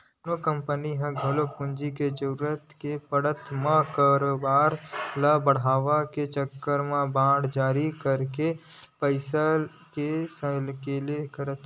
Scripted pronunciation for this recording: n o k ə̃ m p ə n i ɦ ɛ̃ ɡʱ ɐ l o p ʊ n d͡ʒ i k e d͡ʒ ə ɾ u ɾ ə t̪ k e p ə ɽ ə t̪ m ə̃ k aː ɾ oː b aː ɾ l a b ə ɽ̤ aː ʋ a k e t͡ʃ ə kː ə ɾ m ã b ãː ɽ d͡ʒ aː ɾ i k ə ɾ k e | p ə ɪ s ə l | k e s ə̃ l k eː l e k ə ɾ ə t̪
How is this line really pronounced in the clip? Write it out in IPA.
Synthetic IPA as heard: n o k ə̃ m p ə n i ɦ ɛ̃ ɡʱ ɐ l o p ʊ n d͡ʒ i k e d͡ʒ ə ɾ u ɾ ə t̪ k e p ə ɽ ə t̪ m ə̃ k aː ɾ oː b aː ɾ l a b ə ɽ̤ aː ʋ a k e t͡ʃ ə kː ə ɾ m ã b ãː ɽ d͡ʒ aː ɾ i k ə ɾ k e | p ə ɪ s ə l | k e s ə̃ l k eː l e k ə ɾ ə t̪